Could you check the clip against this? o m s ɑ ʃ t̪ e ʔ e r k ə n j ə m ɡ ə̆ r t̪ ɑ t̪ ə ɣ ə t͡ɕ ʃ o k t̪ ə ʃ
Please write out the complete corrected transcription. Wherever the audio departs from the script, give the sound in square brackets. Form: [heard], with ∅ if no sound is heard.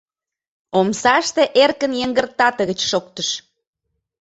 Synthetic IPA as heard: o m s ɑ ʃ t̪ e ʔ e r k ə n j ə [ŋ] ɡ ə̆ r t̪ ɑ t̪ ə ɣ ə t͡ɕ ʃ o k t̪ ə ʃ